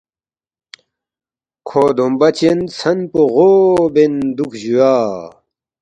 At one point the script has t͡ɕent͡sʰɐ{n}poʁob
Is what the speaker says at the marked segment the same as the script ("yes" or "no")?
yes